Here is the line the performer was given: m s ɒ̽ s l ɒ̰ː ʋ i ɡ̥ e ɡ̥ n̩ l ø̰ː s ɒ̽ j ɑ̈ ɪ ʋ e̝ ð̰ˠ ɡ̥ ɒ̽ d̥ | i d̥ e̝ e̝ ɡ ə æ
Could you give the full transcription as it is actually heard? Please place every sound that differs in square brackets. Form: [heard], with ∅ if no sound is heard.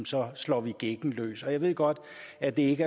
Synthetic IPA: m s ɒ̽ s l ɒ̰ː ʋ i ɡ̥ e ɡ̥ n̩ l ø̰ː s ɒ̽ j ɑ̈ ɪ ʋ e̝ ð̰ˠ ɡ̥ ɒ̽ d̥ | [æ] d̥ e̝ e̝ ɡ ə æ